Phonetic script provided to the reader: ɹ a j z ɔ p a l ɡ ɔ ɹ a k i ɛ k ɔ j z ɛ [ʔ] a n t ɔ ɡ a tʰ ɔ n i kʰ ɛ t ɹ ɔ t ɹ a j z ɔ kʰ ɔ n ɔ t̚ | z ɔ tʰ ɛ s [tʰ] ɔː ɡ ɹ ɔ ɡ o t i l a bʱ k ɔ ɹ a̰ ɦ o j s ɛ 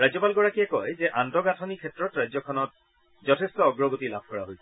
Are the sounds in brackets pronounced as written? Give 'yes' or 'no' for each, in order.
yes, no

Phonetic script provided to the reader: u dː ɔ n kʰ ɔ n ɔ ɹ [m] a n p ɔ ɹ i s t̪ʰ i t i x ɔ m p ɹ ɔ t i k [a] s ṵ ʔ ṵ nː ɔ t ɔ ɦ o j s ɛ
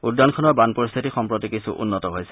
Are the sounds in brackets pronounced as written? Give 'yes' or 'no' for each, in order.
no, no

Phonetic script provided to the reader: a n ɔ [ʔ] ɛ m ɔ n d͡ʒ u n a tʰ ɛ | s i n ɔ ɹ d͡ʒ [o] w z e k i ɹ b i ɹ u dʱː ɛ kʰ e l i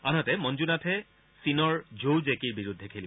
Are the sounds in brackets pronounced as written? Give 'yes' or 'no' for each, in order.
no, yes

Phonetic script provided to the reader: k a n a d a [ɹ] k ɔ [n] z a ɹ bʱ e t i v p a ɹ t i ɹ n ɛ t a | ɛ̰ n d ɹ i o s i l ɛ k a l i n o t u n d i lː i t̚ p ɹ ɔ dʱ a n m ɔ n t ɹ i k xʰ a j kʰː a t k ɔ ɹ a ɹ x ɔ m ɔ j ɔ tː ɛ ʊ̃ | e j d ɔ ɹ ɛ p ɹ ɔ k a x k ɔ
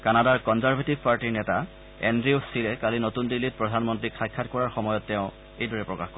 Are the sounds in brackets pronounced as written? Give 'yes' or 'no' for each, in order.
yes, yes

